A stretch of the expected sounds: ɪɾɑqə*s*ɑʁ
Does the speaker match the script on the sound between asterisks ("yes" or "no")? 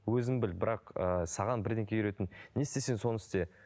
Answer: yes